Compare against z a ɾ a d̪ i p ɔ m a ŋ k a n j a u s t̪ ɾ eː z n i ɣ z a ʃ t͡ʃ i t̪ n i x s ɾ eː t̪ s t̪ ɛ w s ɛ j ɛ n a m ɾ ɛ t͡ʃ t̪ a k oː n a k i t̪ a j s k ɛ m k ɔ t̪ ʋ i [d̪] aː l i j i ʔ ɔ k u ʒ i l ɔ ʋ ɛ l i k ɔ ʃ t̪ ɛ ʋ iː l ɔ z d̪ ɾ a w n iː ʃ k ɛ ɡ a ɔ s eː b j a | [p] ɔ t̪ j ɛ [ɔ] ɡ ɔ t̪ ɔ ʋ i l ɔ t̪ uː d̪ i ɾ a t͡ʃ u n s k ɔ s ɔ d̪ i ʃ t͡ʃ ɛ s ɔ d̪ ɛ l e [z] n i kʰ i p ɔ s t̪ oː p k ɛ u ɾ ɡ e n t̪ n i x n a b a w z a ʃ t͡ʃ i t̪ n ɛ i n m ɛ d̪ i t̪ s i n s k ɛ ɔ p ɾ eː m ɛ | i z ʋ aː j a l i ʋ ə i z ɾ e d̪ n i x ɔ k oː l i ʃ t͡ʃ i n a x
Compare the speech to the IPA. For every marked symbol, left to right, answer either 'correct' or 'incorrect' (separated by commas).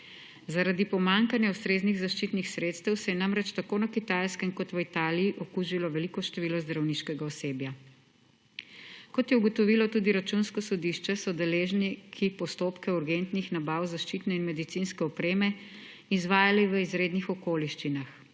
incorrect, incorrect, incorrect, incorrect